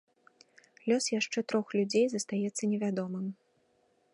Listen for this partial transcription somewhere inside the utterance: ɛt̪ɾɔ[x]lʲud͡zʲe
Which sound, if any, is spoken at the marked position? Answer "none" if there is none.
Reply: x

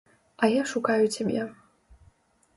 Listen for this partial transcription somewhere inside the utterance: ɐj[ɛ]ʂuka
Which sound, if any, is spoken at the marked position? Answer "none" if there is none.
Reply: a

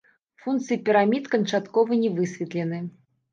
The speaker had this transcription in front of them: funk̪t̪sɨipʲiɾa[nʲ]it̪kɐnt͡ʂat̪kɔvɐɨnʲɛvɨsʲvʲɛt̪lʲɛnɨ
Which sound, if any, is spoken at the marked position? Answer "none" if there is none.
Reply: mʲ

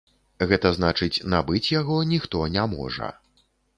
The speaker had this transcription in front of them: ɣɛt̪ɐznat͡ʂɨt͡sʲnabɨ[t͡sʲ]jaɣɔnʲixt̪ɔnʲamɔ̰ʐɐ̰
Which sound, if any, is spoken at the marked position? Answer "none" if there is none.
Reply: t͡sʲ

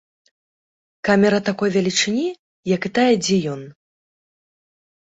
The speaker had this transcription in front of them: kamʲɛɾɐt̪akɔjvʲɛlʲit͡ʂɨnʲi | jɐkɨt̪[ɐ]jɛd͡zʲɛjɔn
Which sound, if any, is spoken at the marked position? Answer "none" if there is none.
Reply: a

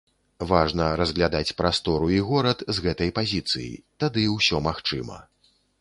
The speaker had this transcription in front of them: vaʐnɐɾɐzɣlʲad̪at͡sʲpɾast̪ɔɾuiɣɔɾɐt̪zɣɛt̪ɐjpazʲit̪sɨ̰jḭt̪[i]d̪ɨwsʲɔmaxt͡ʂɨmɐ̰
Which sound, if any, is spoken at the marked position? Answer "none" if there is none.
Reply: a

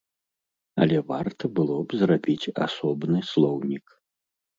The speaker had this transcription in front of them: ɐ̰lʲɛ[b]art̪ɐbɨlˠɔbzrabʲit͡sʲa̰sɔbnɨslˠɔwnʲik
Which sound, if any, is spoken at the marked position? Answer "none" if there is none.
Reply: v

